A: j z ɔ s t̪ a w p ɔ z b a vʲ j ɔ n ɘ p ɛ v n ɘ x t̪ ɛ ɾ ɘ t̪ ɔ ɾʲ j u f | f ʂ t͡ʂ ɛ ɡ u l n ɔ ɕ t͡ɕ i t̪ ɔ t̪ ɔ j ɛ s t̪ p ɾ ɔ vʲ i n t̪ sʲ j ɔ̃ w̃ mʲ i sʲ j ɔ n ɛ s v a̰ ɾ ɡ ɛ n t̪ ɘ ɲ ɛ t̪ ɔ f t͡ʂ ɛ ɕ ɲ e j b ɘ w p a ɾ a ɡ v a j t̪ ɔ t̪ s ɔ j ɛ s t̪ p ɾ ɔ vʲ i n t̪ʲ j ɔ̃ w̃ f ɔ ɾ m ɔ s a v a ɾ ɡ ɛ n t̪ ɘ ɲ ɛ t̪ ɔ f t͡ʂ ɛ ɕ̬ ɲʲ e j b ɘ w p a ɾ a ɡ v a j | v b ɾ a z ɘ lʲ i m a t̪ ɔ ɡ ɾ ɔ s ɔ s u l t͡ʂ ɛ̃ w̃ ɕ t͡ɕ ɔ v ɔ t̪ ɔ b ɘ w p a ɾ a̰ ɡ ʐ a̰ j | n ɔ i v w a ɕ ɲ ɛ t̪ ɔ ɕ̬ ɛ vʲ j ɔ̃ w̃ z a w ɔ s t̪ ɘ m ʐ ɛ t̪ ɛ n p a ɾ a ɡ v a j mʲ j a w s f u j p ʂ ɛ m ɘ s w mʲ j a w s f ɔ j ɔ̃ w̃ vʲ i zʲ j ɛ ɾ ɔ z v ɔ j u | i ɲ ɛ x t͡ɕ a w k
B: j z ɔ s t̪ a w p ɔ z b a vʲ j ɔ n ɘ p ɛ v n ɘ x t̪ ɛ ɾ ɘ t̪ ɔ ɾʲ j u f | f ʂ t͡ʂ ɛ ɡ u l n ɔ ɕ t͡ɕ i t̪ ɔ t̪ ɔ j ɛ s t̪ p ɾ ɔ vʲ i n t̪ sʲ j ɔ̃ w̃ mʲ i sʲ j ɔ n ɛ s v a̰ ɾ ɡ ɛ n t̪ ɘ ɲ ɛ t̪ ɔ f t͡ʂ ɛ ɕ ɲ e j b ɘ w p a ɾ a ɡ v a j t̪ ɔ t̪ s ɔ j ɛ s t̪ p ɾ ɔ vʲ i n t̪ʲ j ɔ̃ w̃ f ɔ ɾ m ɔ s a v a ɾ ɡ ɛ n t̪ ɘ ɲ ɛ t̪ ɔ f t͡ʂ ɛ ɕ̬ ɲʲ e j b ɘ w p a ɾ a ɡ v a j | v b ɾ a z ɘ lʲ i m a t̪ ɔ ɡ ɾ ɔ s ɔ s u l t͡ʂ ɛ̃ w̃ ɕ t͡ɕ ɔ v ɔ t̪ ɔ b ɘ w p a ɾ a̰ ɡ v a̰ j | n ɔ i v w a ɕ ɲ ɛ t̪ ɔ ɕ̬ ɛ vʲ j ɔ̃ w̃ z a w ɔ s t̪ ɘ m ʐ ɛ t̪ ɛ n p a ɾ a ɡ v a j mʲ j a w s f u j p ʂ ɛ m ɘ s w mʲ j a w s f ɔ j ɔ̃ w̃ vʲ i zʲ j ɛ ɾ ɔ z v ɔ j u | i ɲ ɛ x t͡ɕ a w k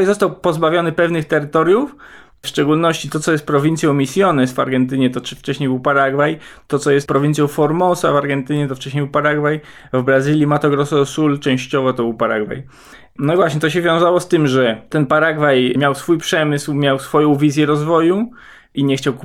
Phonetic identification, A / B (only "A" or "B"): B